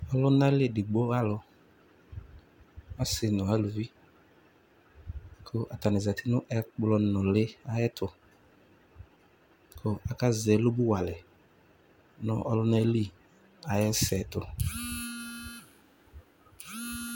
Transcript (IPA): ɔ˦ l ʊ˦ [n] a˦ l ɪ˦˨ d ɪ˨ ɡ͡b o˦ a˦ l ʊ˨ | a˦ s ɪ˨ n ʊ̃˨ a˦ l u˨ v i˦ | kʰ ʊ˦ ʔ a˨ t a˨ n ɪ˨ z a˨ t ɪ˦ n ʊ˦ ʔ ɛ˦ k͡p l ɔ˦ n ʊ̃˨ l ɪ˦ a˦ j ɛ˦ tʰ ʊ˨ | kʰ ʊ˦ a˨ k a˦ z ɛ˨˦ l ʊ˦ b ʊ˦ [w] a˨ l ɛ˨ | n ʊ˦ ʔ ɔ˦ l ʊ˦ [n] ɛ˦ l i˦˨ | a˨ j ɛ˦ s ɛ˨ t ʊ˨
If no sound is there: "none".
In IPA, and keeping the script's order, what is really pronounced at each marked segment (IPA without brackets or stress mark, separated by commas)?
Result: n, w, n